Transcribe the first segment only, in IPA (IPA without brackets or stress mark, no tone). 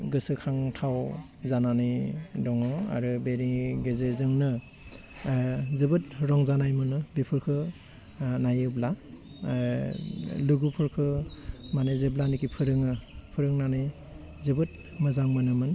ɡ